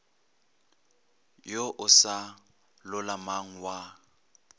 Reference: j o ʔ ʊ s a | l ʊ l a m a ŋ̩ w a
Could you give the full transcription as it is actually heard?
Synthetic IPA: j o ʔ ʊ s a | l ʊ l a m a ŋ̩ w a